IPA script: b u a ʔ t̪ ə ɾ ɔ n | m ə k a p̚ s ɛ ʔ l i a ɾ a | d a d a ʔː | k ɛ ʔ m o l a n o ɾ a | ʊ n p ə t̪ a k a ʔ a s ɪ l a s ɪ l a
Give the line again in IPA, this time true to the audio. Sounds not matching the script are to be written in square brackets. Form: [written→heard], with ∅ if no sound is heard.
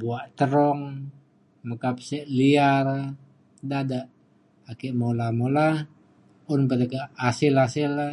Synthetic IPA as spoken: b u a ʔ t̪ ə ɾ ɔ [n→ŋ] | m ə k a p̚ s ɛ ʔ l i a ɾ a | d a d a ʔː | k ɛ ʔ m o l a [n→m] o [ɾ→l] a | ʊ n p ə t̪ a k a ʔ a s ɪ l a s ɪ l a